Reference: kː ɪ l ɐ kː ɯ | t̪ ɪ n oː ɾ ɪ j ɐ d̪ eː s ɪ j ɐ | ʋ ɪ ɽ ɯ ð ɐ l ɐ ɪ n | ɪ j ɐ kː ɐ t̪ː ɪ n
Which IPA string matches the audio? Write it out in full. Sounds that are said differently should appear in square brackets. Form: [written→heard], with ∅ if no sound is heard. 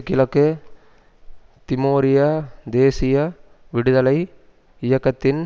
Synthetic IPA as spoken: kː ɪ l ɐ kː ɯ | t̪ ɪ [n→m] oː ɾ ɪ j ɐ d̪ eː s ɪ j ɐ | ʋ ɪ ɽ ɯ ð ɐ l ɐ ɪ [n→∅] | ɪ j ɐ kː ɐ t̪ː ɪ n